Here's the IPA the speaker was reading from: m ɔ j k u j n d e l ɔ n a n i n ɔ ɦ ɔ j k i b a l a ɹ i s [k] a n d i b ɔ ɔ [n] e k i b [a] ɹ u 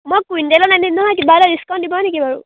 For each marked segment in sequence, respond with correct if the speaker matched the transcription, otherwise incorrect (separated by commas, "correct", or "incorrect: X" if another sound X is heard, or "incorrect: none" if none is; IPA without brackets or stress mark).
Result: correct, correct, correct